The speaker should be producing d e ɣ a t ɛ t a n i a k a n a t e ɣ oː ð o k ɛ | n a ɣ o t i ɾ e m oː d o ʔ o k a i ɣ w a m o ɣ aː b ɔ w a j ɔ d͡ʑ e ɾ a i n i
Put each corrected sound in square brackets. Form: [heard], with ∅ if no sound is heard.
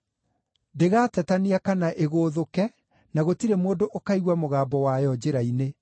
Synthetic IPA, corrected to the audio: d e ɣ a t ɛ t a n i a k a n a [ʔ] e ɣ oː ð o k ɛ | n a ɣ o t i ɾ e m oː d o ʔ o k a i ɣ w a m o ɣ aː b ɔ w a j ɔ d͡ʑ e ɾ a i n [e]